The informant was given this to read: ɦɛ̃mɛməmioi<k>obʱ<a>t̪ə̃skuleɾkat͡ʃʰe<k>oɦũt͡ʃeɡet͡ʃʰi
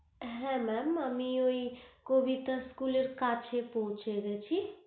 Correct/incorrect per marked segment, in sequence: correct, incorrect: i, incorrect: p

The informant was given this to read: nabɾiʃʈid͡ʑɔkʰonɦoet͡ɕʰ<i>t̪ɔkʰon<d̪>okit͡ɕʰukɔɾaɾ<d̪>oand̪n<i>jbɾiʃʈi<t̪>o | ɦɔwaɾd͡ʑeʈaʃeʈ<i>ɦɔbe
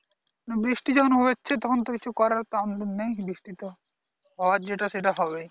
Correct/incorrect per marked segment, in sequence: incorrect: e, incorrect: t̪, incorrect: t̪, incorrect: e, correct, incorrect: a

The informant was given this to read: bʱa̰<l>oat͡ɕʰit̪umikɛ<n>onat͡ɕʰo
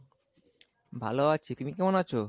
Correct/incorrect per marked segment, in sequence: correct, incorrect: m

